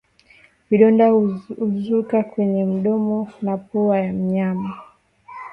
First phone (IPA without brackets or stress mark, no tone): v